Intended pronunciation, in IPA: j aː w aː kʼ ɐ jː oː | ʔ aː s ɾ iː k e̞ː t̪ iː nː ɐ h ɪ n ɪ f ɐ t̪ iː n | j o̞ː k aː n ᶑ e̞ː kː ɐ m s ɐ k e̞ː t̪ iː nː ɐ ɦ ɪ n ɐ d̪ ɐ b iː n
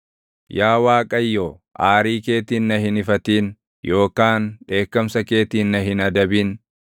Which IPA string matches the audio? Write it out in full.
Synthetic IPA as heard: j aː w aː kʼ ɐ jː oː | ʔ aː ɾ iː k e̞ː t̪ iː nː ɐ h ɪ n ɪ f ɐ t̪ iː n | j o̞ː k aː n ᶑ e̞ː kː ɐ m s ɐ k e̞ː t̪ iː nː ɐ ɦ ɪ n ɐ d̪ ɐ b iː n